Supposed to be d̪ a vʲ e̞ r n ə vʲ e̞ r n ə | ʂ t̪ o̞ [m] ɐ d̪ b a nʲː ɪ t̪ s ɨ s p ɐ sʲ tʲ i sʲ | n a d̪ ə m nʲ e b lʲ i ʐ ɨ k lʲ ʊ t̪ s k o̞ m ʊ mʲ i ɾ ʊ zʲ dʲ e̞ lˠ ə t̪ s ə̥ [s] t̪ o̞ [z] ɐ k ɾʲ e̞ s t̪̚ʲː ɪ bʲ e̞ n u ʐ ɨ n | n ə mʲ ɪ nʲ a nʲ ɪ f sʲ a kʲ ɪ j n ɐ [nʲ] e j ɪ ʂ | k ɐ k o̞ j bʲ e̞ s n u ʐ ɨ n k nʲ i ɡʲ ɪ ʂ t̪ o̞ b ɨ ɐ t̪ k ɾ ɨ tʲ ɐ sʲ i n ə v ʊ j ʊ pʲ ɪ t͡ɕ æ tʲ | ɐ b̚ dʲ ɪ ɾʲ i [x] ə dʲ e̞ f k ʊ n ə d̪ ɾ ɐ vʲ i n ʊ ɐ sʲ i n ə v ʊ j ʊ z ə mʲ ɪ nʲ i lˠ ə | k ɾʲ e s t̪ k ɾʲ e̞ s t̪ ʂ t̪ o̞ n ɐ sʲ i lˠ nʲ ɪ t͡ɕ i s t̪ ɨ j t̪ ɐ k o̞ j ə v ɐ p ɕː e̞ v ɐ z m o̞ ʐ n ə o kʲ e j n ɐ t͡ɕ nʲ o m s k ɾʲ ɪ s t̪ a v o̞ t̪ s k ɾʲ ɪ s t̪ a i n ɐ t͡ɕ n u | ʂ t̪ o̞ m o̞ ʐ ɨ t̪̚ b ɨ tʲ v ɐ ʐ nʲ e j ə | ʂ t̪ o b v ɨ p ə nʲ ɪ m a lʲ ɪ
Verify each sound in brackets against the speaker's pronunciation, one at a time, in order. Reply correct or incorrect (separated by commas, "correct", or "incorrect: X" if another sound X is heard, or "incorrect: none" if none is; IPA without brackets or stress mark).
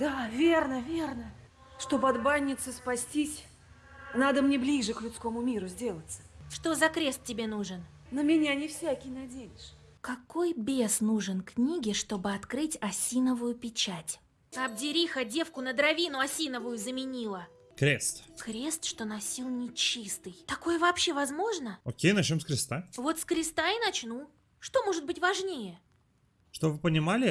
incorrect: b, incorrect: ʂ, correct, incorrect: dʲ, correct